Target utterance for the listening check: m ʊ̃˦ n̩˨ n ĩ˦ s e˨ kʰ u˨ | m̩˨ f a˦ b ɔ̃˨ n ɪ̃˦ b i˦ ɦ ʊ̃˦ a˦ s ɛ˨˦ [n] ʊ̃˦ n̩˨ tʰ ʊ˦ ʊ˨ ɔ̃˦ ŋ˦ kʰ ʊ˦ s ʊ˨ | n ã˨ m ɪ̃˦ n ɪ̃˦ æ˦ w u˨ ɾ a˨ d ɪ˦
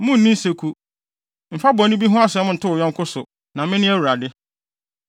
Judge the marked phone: incorrect: m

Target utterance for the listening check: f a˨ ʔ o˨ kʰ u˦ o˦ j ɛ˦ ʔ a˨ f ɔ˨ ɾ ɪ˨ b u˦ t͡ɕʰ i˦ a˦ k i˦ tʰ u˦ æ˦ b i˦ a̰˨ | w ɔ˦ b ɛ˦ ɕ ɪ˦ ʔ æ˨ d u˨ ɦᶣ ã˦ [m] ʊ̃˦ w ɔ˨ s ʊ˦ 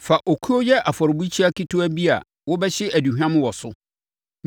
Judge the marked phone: correct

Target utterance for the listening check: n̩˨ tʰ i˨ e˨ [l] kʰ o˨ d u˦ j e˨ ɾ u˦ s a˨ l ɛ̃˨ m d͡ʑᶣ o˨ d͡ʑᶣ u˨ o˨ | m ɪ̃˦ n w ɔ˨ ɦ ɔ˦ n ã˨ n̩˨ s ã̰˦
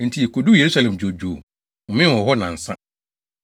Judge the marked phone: incorrect: none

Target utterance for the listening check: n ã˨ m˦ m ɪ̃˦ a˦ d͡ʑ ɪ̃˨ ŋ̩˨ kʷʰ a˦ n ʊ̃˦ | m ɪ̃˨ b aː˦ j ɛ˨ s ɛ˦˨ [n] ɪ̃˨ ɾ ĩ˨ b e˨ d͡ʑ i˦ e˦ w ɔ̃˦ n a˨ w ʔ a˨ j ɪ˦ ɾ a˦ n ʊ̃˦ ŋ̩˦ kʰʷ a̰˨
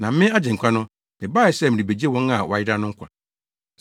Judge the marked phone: incorrect: m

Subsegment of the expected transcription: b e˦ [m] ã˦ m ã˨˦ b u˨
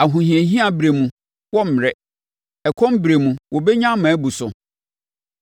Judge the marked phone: incorrect: ɲ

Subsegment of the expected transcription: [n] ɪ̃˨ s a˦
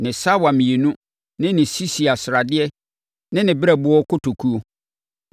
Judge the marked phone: correct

